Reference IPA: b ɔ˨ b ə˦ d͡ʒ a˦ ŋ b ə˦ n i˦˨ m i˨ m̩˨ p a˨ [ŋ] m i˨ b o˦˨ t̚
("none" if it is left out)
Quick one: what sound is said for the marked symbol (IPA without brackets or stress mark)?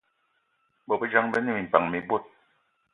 ŋ